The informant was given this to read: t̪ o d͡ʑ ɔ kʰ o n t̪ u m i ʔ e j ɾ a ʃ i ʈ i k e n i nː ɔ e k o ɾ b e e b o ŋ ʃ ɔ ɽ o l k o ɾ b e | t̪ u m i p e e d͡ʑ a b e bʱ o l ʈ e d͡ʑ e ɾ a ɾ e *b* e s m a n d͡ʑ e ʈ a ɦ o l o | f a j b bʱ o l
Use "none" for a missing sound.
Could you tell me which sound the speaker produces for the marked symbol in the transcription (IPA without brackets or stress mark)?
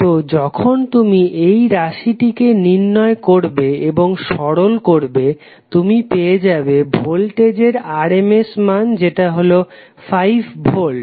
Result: m